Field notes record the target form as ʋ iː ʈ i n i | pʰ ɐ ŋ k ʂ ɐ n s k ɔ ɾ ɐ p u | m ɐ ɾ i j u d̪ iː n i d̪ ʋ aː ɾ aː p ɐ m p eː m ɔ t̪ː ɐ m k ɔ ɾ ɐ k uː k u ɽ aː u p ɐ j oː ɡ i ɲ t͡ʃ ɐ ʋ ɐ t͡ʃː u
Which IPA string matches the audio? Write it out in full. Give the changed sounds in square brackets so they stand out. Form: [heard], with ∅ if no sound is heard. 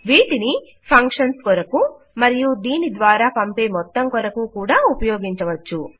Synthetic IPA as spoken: ʋ iː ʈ i n i | pʰ ɐ ŋ k ʂ ɐ n s k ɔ ɾ ɐ [k] u | m ɐ ɾ i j u d̪ iː n i d̪ ʋ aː ɾ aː p ɐ m p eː m ɔ t̪ː ɐ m k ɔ ɾ ɐ k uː k [uː] ɽ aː u p ɐ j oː ɡ i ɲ t͡ʃ ɐ ʋ ɐ t͡ʃː u